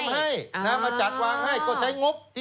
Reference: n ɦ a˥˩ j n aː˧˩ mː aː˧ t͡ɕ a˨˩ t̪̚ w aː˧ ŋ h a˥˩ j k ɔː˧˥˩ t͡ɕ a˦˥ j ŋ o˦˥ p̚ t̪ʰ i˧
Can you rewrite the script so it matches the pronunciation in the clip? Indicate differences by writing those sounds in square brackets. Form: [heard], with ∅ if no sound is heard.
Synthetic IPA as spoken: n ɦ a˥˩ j n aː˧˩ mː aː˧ t͡ɕ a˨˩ t̪̚ w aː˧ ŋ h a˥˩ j k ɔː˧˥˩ [t͡ɕʰ] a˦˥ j ŋ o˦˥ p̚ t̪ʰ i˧